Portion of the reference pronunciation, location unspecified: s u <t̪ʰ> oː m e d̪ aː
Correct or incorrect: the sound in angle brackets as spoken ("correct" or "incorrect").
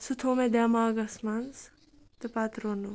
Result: correct